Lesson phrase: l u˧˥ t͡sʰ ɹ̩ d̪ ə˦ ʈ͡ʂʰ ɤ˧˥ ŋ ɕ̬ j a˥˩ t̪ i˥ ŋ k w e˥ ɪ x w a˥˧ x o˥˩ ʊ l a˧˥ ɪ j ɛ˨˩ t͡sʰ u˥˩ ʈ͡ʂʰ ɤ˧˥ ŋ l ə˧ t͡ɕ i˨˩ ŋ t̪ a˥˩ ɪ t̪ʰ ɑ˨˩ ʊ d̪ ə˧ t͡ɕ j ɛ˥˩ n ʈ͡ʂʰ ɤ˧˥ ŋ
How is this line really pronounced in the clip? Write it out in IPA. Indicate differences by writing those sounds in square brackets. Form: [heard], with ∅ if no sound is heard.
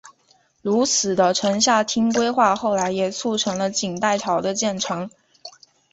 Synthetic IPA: l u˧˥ t͡sʰ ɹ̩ d̪ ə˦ ʈ͡ʂʰ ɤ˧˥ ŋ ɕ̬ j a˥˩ [t̪ʰ] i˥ ŋ k w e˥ ɪ x w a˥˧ x o˥˩ ʊ l a˧˥ ɪ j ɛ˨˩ t͡sʰ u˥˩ ʈ͡ʂʰ ɤ˧˥ ŋ l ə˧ t͡ɕ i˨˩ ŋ t̪ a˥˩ ɪ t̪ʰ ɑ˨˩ ʊ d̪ ə˧ t͡ɕ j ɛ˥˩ n ʈ͡ʂʰ ɤ˧˥ ŋ